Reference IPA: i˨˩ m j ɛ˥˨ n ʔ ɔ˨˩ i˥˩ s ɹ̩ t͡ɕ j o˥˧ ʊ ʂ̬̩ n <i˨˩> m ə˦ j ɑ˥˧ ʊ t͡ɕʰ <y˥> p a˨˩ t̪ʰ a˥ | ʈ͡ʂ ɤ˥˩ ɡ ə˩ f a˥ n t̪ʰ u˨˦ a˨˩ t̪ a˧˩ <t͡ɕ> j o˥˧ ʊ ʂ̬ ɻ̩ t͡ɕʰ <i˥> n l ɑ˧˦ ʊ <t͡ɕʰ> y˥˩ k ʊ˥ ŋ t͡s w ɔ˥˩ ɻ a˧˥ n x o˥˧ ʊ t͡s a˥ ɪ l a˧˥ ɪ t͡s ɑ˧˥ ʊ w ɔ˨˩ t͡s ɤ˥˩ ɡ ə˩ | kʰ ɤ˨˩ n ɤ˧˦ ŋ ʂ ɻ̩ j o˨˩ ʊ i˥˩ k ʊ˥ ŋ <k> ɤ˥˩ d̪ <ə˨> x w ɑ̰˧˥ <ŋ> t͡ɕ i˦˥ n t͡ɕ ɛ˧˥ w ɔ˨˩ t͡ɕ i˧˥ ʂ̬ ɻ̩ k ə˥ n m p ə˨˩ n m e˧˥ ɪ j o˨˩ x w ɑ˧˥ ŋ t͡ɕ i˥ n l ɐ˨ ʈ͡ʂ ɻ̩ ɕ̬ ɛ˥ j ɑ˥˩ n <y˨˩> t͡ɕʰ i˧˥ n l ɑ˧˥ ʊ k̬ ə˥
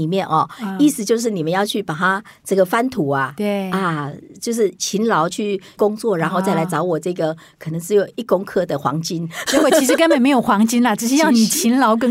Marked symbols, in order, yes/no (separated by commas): yes, no, yes, no, yes, no, yes, yes, no